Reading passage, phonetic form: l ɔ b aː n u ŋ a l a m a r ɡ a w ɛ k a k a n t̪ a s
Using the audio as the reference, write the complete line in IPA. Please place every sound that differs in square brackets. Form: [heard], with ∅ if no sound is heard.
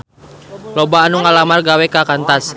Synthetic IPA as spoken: l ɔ b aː n u ŋ a l a m a r ɡ a w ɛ k a k a n t̪ a s